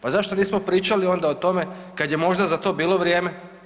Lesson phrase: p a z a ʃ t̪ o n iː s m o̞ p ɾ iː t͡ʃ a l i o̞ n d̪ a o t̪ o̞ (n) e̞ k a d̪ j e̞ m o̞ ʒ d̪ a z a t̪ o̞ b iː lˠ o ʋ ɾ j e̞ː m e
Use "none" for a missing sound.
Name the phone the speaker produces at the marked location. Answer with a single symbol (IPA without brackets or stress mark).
m